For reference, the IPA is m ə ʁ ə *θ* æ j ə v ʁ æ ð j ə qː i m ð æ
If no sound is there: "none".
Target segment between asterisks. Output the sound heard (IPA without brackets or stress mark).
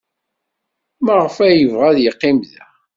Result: f